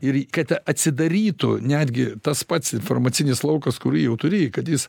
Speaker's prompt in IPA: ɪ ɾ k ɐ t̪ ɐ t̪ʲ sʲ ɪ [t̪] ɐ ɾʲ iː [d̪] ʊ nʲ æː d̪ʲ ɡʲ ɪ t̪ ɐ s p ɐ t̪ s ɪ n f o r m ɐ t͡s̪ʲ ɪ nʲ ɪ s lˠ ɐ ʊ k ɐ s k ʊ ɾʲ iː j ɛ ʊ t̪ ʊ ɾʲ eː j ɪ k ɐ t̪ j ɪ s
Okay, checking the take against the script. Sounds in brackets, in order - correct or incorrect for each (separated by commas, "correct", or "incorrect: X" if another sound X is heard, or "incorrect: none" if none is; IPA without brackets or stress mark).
incorrect: d̪, incorrect: t̪